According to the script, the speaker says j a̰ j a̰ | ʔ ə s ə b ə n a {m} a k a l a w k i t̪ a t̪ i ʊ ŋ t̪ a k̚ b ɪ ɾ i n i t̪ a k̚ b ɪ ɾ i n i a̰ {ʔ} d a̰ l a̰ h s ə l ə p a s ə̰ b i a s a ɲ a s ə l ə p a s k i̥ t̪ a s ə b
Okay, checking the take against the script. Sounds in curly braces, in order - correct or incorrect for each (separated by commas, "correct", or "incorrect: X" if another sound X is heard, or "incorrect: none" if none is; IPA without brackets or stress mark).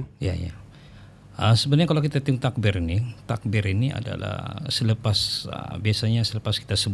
incorrect: ɲ, incorrect: none